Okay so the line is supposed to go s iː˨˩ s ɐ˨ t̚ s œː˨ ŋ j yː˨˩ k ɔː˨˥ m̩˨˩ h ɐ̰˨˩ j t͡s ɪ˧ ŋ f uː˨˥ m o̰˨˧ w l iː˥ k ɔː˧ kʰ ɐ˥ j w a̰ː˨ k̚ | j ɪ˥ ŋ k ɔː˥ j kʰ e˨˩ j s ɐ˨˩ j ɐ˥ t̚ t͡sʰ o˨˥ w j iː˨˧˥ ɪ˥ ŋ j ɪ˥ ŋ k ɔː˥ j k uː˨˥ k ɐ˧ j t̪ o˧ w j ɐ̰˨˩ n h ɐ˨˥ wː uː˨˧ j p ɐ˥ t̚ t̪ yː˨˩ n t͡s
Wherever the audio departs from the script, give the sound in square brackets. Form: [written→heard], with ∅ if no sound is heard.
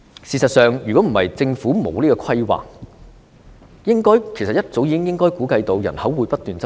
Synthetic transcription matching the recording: s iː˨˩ s ɐ˨ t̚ s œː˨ ŋ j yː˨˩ k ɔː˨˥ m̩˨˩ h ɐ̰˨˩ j t͡s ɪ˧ ŋ f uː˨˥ m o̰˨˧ w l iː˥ k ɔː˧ kʰ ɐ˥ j w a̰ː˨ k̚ | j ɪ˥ ŋ k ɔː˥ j kʰ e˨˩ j s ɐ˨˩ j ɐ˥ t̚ [t͡sʰ→t͡s] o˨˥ w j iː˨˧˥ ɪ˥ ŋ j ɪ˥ ŋ k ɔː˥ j k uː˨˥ k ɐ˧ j t̪ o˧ w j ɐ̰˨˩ n h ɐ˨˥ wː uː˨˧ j p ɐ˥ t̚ t̪ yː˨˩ n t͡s